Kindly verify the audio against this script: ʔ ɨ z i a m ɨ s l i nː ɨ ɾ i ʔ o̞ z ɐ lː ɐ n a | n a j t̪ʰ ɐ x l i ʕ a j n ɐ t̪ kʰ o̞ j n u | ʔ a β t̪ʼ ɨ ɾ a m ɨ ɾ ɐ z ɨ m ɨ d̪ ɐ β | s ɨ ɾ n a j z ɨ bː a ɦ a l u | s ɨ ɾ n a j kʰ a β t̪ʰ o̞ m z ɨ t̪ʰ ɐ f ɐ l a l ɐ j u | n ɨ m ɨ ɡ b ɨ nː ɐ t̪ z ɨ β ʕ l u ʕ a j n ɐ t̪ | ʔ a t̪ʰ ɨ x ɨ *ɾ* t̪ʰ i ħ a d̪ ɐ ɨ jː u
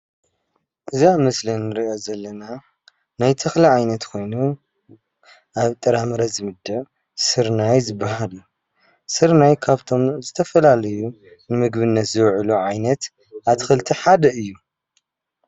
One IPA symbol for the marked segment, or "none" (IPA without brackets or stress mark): l